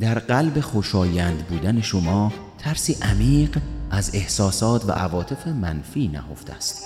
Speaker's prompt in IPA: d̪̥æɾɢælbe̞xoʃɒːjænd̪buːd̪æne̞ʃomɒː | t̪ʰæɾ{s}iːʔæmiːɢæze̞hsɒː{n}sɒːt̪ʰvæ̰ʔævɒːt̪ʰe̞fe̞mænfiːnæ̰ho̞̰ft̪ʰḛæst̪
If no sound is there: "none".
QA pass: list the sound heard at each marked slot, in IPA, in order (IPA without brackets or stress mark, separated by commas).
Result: s, none